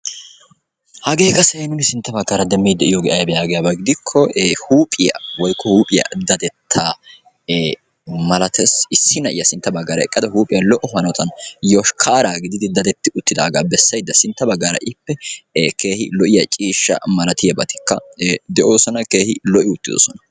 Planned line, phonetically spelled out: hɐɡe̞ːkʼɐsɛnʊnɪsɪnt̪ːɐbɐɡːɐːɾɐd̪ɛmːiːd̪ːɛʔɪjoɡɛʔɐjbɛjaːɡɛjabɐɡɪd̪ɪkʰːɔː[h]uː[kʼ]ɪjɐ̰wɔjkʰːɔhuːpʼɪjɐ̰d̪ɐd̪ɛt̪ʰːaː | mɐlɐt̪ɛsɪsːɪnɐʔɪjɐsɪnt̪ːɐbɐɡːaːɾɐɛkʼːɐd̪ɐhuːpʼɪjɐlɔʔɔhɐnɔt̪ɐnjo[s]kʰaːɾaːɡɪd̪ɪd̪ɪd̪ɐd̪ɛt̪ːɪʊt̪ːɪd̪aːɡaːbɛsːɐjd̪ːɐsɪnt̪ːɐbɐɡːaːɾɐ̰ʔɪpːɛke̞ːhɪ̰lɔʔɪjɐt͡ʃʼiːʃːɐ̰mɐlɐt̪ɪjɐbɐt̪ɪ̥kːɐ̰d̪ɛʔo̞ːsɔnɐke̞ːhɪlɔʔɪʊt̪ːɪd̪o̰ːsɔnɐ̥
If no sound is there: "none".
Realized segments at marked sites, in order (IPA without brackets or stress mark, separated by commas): h, pʼ, ʃ